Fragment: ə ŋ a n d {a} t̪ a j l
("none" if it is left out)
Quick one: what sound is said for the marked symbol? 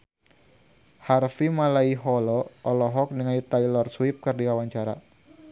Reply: i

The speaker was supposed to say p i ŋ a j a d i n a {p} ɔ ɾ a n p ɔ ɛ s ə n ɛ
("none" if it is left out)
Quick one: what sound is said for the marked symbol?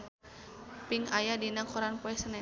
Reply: k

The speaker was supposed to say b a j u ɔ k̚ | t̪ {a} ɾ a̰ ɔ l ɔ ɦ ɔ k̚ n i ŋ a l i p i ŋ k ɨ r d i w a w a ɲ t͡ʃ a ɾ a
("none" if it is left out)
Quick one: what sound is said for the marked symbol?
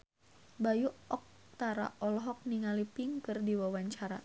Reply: a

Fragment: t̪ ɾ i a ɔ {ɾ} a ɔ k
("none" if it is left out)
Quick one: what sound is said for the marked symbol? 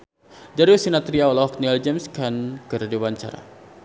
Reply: l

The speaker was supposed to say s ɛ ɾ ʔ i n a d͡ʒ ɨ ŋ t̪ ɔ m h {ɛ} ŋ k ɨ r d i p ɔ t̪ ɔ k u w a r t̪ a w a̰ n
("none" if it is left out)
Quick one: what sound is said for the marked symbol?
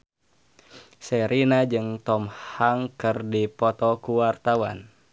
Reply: a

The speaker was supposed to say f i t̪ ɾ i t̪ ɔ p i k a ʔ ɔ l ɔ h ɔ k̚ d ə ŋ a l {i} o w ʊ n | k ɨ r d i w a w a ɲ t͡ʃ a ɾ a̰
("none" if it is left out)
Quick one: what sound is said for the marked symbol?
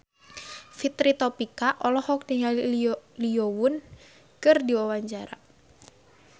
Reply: i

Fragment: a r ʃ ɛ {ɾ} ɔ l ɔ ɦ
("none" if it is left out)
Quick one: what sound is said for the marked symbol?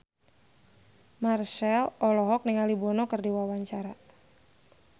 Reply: l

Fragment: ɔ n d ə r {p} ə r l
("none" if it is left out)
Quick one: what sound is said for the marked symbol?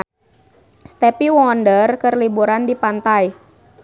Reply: k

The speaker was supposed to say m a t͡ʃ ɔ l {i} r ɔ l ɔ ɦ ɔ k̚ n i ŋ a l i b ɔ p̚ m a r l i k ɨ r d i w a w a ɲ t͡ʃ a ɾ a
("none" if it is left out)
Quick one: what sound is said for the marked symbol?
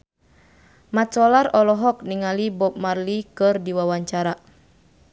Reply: a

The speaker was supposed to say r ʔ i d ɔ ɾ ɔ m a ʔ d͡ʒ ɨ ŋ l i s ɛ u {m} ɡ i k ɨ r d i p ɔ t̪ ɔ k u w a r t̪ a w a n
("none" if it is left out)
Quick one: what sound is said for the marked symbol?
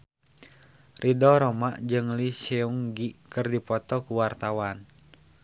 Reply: ŋ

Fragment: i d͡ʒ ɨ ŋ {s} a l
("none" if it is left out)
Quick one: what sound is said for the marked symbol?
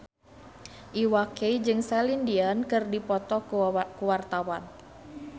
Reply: s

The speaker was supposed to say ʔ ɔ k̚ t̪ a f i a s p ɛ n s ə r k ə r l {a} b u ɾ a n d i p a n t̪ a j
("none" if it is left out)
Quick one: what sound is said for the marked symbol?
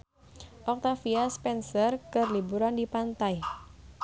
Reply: i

